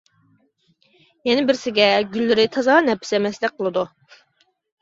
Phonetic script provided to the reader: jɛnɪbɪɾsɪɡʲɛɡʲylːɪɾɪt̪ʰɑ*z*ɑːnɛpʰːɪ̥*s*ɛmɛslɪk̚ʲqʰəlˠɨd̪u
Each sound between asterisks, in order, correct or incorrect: correct, correct

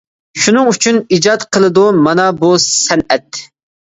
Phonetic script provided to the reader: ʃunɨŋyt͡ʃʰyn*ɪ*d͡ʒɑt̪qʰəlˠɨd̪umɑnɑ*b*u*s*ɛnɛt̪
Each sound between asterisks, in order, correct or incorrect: incorrect, correct, correct

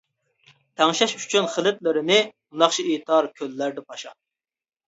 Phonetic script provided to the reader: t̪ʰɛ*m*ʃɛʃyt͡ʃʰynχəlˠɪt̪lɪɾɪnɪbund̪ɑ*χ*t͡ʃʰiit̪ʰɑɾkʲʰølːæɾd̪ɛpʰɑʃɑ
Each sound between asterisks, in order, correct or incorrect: incorrect, correct

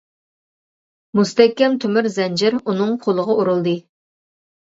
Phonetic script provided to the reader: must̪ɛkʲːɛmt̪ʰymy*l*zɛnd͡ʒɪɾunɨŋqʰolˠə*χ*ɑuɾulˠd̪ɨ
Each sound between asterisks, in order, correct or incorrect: incorrect, incorrect

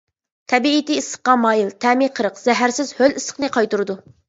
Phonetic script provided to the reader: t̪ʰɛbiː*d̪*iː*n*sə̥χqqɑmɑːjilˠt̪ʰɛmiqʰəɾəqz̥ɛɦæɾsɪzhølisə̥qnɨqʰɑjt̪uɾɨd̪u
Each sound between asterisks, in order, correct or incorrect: incorrect, incorrect

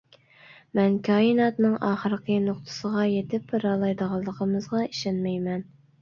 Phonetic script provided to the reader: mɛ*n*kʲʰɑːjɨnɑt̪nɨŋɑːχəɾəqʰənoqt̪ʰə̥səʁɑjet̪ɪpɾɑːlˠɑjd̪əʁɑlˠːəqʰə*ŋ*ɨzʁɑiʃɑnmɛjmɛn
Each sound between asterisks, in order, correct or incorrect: correct, incorrect

